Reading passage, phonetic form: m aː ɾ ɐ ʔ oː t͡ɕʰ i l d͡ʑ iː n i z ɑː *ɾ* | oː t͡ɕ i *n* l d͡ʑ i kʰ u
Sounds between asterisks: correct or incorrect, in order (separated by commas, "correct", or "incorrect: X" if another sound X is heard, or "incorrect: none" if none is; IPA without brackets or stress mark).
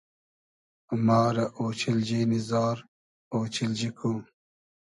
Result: correct, incorrect: none